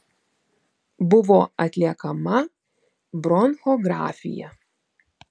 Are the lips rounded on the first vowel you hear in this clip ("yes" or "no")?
yes